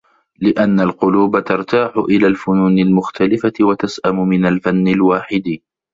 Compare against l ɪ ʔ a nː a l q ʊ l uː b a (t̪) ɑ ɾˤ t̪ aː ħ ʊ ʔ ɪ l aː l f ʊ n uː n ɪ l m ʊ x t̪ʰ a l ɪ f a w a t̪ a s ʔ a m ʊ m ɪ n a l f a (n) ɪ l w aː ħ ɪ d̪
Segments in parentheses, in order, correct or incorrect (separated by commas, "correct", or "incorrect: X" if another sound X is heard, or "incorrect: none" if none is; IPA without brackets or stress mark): correct, incorrect: nː